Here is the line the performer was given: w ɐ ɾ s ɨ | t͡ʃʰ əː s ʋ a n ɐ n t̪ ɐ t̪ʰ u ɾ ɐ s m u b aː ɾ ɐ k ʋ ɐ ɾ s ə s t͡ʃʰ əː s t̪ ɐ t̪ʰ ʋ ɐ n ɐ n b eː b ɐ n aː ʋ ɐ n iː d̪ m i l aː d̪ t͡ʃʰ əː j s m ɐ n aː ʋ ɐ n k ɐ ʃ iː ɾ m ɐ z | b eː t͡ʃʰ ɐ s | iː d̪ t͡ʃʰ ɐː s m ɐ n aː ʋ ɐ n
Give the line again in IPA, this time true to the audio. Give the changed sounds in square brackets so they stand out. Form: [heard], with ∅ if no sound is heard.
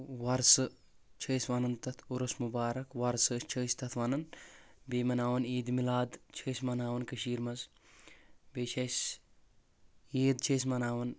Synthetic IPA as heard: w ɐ ɾ s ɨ | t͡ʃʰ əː s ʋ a n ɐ n t̪ ɐ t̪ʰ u ɾ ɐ s m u b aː ɾ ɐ k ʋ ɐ ɾ s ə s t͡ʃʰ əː s t̪ ɐ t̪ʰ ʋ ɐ n ɐ n b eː [m] ɐ n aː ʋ ɐ n iː d̪ m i l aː d̪ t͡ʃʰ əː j s m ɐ n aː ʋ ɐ n k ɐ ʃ iː ɾ m ɐ z | b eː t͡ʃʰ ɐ s | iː d̪ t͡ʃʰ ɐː s m ɐ n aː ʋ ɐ n